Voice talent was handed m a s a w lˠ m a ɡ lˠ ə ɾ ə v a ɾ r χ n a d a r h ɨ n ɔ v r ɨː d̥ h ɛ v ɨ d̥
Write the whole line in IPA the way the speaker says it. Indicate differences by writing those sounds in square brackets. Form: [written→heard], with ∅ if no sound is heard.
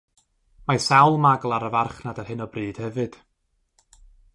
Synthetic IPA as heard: m a s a w lˠ m a ɡ lˠ [ə→a] ɾ ə v a [ɾ→∅] r χ n a d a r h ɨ n ɔ [v→b] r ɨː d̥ h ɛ v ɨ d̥